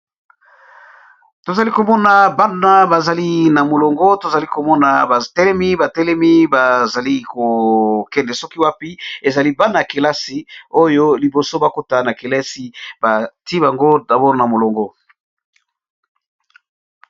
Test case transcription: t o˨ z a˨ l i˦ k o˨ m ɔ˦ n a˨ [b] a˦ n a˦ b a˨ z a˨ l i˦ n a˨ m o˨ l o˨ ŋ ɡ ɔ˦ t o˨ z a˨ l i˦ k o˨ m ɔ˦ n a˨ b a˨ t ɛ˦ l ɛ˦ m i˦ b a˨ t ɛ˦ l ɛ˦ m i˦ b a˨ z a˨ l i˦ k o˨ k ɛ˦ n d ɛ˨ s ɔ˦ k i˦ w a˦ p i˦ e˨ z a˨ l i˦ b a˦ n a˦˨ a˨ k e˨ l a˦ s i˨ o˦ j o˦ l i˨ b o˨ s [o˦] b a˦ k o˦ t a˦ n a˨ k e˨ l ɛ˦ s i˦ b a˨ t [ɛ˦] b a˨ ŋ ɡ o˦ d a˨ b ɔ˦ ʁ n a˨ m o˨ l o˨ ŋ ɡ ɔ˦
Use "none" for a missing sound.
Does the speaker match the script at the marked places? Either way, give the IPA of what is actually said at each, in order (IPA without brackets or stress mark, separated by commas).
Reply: b, o˦, i˦